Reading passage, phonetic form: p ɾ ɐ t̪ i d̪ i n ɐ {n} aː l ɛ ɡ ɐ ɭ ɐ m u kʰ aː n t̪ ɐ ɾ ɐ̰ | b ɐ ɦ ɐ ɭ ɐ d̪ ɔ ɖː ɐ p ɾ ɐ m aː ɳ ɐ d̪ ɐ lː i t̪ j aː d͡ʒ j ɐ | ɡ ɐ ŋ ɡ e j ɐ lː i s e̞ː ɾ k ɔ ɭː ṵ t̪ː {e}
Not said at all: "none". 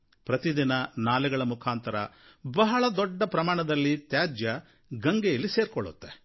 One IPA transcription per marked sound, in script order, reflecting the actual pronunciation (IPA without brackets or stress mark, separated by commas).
n, e